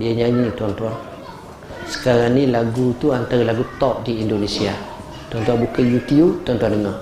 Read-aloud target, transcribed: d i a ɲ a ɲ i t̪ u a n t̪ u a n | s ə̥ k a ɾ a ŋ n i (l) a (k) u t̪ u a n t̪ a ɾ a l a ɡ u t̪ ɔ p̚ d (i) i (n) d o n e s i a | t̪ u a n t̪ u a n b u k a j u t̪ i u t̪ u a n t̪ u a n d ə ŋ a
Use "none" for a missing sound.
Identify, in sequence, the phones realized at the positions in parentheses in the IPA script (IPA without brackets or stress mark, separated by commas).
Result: l, ɡ, i, n